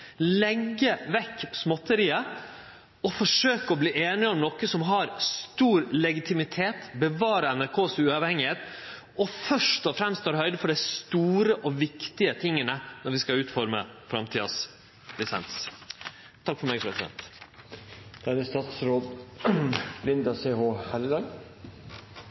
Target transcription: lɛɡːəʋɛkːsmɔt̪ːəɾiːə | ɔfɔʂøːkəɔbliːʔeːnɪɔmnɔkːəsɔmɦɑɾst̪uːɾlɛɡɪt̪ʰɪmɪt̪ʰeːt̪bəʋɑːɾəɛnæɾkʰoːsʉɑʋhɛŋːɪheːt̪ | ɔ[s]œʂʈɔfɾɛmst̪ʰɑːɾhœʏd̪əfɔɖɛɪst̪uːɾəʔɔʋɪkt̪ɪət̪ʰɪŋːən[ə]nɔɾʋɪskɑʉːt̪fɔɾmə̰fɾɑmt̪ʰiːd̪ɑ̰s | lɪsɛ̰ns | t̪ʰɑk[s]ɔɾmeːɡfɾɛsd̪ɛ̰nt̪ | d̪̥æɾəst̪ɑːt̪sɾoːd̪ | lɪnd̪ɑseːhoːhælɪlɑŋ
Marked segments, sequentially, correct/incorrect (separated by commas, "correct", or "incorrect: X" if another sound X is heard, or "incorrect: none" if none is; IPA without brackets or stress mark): incorrect: f, correct, incorrect: f